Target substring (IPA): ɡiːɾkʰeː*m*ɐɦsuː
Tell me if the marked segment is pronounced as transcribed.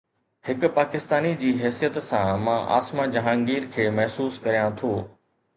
yes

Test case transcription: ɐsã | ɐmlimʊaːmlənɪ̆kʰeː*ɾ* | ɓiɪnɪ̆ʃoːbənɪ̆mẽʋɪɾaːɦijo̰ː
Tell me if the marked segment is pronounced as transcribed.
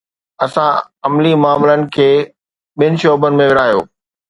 no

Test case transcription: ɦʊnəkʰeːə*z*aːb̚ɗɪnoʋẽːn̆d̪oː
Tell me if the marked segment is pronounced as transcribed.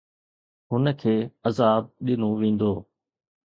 yes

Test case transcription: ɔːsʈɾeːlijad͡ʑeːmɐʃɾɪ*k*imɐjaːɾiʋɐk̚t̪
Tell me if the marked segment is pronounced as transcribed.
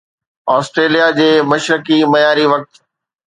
yes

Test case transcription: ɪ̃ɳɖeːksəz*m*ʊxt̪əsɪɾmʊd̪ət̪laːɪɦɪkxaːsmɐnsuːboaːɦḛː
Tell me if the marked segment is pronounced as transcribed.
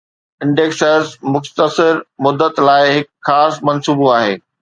yes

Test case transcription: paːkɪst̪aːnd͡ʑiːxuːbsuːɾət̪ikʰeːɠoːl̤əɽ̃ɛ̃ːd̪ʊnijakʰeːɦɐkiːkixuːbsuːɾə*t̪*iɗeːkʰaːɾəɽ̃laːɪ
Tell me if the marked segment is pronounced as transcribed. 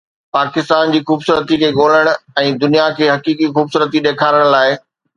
yes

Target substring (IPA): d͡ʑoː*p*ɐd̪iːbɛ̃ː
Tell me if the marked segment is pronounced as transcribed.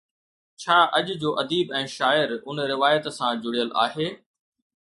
no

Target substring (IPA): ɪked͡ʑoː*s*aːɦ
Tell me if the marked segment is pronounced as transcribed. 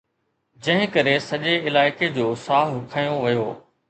yes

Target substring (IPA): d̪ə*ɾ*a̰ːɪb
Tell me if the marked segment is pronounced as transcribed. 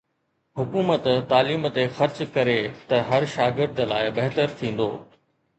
no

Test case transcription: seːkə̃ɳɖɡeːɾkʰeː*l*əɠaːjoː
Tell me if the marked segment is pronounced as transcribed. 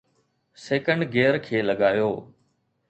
yes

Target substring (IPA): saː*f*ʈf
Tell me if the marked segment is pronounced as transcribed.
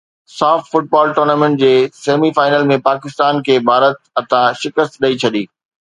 yes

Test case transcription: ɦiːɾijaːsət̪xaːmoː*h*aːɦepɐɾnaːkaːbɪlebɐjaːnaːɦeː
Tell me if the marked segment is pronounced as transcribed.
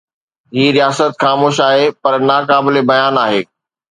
no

